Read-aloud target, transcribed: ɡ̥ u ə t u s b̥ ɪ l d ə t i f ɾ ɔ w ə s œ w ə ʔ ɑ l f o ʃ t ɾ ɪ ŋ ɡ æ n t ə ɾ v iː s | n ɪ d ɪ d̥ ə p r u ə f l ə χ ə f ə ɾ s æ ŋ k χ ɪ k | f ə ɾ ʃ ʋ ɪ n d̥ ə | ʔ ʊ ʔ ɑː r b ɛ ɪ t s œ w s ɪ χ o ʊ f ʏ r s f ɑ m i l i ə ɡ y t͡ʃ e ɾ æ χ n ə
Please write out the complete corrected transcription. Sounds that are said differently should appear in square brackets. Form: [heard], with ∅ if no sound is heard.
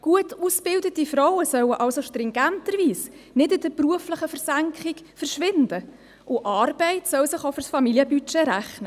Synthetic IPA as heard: ɡ̥ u ə t u s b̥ ɪ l d ə t i f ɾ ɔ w ə s œ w ə ʔ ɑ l [s] o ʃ t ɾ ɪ ŋ ɡ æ n t ə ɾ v iː s | n ɪ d ɪ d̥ ə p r u ə f l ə χ ə f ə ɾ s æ ŋ k χ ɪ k | f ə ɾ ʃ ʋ ɪ n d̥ ə | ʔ ʊ ʔ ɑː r b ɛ ɪ t s œ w s ɪ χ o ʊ f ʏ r s f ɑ m i l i ə [b] y t͡ʃ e ɾ æ χ n ə